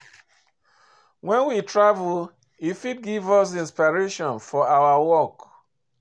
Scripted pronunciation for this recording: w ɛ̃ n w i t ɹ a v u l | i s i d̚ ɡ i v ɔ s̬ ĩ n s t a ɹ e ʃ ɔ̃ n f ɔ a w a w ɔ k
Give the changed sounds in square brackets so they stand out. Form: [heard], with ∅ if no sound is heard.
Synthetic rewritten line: w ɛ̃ n w i t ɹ a v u l | i [f] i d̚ ɡ i v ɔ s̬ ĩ n s [p] a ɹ e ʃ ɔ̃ n f ɔ a w a w ɔ k